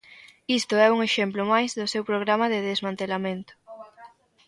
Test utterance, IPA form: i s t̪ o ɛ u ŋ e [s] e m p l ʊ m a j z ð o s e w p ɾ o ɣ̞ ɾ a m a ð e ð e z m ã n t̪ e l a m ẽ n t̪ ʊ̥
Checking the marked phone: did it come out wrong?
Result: yes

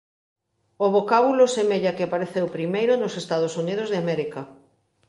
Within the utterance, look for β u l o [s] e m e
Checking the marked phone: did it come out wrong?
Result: no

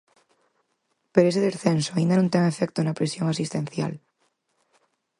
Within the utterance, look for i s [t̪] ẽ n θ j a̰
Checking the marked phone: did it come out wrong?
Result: no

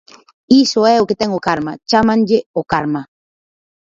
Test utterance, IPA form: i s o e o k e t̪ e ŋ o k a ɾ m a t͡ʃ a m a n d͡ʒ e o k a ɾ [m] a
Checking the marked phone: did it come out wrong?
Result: no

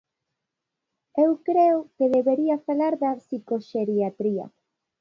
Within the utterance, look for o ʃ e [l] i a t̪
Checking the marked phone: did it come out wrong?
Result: yes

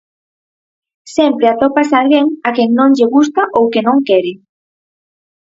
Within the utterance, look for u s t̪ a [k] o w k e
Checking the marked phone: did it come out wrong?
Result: yes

